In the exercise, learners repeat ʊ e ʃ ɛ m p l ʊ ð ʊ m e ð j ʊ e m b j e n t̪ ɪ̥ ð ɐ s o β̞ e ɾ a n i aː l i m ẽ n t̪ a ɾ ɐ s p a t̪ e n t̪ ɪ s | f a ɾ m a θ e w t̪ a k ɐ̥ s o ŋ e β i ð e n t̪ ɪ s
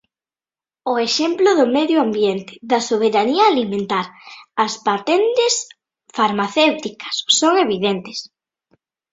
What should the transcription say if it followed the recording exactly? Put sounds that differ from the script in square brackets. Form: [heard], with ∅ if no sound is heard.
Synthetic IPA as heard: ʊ e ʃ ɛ m p l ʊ ð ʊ m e ð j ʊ [a] m b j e n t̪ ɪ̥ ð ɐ s o β̞ e ɾ a n i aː l i m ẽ n t̪ a ɾ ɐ s p a t̪ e n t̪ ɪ s | f a ɾ m a θ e w t̪ [i] k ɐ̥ [sː] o ŋ e β i ð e n t̪ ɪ s

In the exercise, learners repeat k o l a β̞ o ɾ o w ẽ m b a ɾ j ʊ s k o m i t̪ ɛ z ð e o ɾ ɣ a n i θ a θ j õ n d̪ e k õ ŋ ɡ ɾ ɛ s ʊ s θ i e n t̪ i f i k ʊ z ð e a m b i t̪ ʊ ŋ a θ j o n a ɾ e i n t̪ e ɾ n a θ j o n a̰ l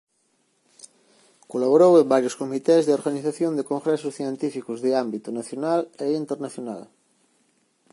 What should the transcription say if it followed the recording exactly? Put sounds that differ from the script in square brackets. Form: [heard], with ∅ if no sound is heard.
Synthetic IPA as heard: k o l a β̞ o ɾ o w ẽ m b a ɾ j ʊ s k o m i t̪ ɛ z ð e o ɾ ɣ a n i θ a θ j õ n d̪ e k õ ŋ ɡ ɾ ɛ s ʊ s θ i e n t̪ i f i k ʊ z ð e a m b i t̪ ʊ [n] a θ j o n a [l] e i n t̪ e ɾ n a θ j o n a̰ l

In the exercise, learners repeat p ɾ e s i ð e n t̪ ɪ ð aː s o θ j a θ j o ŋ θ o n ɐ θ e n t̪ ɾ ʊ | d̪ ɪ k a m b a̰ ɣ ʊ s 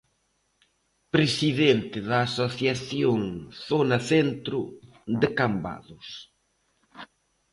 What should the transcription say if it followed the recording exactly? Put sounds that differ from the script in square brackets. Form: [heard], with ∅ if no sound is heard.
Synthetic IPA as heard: p ɾ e s i ð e n t̪ ɪ ð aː s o θ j a θ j o ŋ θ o n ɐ θ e n t̪ ɾ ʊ | d̪ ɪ k a m b a̰ [ð] ʊ s

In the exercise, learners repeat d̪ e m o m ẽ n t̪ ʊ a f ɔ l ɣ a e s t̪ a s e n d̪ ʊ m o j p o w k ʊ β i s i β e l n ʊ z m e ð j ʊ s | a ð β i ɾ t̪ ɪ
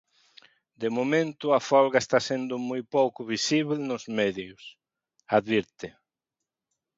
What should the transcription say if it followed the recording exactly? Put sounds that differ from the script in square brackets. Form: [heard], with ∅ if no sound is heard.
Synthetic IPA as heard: d̪ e m o m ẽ n t̪ ʊ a f ɔ l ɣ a e s t̪ a s e n d̪ ʊ m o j p o w k ʊ β i s i β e l n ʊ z m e ð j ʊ s | a ð β i ɾ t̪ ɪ

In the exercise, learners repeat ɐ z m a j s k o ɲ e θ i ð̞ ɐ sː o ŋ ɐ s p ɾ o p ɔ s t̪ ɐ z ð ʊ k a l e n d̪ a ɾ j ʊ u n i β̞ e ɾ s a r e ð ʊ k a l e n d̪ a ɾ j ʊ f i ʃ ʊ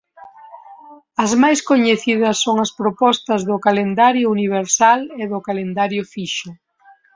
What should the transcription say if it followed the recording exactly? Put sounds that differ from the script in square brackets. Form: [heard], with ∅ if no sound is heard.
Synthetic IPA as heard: ɐ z m a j s k o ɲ e θ i ð̞ ɐ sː o ŋ ɐ s p ɾ o p ɔ s t̪ ɐ z ð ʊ k a l e n d̪ a ɾ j ʊ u n i β̞ e ɾ s a [l] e ð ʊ k a l e n d̪ a ɾ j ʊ f i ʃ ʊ

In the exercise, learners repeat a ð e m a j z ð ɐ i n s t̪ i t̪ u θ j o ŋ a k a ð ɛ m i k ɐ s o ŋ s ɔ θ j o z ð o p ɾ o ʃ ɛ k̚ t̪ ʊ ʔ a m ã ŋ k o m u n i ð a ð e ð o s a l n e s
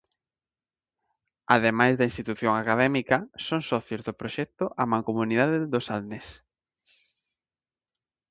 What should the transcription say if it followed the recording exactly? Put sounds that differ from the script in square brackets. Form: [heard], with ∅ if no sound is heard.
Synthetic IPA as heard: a ð e m a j z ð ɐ i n s t̪ i t̪ u θ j o ŋ a k a ð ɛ m i k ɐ s o ŋ s ɔ θ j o z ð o p ɾ o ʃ ɛ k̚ t̪ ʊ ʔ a m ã ŋ k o m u n i ð a ð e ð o s a l n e s

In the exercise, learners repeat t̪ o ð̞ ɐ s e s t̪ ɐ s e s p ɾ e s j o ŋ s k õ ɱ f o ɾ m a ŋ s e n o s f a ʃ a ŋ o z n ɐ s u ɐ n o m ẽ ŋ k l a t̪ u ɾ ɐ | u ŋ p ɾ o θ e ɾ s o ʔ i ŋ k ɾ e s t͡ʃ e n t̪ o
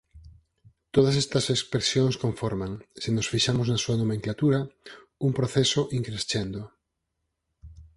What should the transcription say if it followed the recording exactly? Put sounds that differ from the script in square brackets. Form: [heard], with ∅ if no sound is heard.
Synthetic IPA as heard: t̪ o ð̞ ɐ s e s t̪ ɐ s e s p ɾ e s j o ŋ s k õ ɱ f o ɾ m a ŋ s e n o s f [i] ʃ a [m] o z n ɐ s u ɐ n o m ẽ ŋ k l a t̪ u ɾ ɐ | u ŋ p ɾ o θ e [∅] s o ʔ i ŋ k ɾ e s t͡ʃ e n [d̪] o

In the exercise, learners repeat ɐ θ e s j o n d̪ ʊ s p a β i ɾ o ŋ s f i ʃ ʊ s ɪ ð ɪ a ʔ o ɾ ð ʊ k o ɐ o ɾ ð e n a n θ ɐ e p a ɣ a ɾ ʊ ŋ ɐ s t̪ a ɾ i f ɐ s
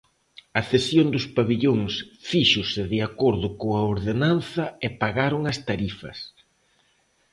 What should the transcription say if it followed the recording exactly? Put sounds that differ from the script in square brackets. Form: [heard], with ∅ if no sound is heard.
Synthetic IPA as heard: ɐ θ e s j o n d̪ ʊ s p a β i [ʎ] o ŋ s f i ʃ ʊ s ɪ ð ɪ a [k] o ɾ ð ʊ k o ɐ o ɾ ð e n a n θ ɐ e p a ɣ a ɾ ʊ ŋ ɐ s t̪ a ɾ i f ɐ s

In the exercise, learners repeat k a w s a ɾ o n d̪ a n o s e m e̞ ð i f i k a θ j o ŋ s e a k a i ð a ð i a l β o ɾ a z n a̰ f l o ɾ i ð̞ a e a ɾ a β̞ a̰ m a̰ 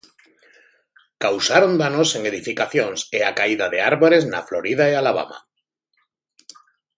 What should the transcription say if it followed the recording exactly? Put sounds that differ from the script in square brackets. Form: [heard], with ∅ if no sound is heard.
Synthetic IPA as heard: k a w s a ɾ o n d̪ a n o s e [ŋ] e̞ ð i f i k a θ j o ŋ s e a k a i ð a ð [e] a [ɾ] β o ɾ [e] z n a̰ f l o ɾ i ð̞ a e a [l] a β̞ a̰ m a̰

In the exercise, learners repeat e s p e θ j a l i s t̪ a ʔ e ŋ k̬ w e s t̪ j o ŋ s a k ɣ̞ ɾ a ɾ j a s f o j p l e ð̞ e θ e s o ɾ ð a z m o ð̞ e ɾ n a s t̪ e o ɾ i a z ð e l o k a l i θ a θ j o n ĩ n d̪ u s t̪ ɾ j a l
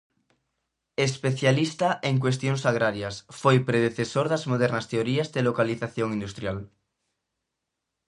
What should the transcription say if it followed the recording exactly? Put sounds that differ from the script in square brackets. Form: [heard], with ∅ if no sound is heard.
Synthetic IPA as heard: e s p e θ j a l i s t̪ a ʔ e ŋ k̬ w e s t̪ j o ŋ s a [∅] ɣ̞ ɾ a ɾ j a s f o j p [ɾ] e ð̞ e θ e s o ɾ ð a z m o ð̞ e ɾ n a s t̪ e o ɾ i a z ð e l o k a l i θ a θ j o [ŋ] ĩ n d̪ u s t̪ ɾ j a l

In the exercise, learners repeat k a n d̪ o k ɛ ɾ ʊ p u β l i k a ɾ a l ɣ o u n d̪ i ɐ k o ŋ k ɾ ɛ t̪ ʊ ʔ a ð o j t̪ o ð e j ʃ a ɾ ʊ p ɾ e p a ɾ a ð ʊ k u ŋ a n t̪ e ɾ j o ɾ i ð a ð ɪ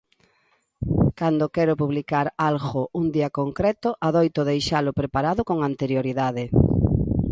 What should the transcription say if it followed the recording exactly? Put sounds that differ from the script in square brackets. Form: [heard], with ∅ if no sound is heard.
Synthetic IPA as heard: k a n d̪ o k ɛ ɾ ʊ p u β l i k a ɾ a l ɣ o u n d̪ i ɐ k o ŋ k ɾ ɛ t̪ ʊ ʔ a ð o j t̪ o ð e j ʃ a [l] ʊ p ɾ e p a ɾ a ð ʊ k [o] ŋ a n t̪ e ɾ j o ɾ i ð a ð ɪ

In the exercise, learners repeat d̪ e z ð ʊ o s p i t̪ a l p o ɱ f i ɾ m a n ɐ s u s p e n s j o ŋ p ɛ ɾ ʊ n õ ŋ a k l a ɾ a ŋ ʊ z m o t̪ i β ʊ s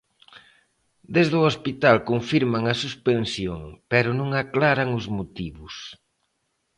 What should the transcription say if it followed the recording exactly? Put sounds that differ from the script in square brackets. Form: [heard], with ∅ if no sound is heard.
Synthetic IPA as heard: d̪ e z ð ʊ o s p i t̪ a l [k] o ɱ f i ɾ m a [ŋ] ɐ s u s p e n s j o ŋ p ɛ ɾ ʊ n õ ŋ a k l a ɾ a ŋ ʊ z m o t̪ i β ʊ s

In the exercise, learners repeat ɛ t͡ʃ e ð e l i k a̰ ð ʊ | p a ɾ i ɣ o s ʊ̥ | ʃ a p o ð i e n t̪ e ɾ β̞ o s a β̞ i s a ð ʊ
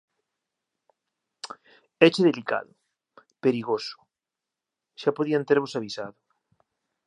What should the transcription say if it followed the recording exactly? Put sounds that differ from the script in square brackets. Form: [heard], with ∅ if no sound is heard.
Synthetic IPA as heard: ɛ t͡ʃ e ð e l i k a̰ ð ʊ | p [e] ɾ i ɣ o s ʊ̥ | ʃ a p o ð i [a] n t̪ e ɾ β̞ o s a β̞ i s a ð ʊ

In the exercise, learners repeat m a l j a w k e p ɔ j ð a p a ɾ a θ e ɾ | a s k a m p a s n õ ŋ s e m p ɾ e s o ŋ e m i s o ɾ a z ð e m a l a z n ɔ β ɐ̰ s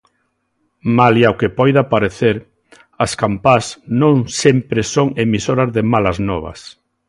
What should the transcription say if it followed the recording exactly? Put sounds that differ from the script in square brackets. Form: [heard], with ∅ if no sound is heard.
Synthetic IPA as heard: m a l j a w k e p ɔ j ð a p a ɾ [e] θ e ɾ | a s k a m p a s n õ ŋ s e m p ɾ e s o ŋ e m i s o ɾ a z ð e m a l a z n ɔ β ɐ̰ s

